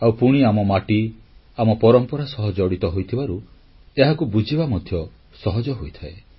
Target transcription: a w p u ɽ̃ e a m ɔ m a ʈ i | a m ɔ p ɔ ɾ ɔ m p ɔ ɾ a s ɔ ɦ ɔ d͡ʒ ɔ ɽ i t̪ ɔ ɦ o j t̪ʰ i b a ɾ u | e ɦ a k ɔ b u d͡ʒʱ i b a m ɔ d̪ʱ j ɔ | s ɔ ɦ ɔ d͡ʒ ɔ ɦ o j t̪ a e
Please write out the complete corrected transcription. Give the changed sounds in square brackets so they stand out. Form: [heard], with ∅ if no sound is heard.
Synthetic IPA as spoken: a w p u ɽ̃ [i] a m ɔ m a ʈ i | a m ɔ p ɔ ɾ ɔ m p ɔ ɾ a s ɔ ɦ ɔ d͡ʒ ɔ ɽ i t̪ ɔ ɦ o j t̪ʰ i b a ɾ u | e ɦ a k [u] b u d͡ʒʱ i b a m ɔ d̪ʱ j ɔ | s ɔ ɦ ɔ d͡ʒ ɔ ɦ o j [t̪ʰ] a e